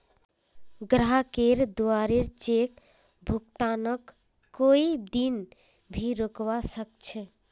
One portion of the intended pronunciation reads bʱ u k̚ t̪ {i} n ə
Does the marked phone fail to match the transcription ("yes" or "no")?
yes